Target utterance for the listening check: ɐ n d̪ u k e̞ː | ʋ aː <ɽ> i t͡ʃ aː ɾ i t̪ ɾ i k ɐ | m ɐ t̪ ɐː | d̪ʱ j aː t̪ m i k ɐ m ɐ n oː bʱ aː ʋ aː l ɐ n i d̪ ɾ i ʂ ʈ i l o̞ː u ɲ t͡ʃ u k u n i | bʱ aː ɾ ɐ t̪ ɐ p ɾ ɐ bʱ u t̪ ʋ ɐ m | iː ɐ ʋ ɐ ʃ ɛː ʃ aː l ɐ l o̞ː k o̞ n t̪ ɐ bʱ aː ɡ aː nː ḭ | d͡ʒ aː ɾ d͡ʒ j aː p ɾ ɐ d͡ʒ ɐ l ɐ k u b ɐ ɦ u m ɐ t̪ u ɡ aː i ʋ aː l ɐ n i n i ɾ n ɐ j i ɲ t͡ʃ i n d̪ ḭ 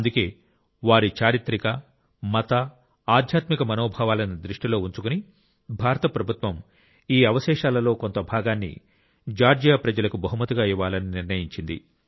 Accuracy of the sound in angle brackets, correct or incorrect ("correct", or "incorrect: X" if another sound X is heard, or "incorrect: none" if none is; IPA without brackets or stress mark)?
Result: incorrect: ɾ